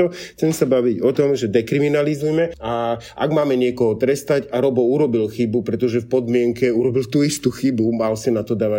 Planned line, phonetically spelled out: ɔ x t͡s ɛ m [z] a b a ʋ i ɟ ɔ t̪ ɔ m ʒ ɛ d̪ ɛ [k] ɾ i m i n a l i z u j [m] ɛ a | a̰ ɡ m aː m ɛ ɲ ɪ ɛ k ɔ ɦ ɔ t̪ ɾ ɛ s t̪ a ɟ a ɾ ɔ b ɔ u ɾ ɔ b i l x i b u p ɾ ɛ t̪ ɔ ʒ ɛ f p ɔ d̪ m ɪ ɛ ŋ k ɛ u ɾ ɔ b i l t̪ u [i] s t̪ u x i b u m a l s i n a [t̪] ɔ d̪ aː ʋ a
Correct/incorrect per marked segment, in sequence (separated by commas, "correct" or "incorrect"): incorrect, correct, correct, correct, correct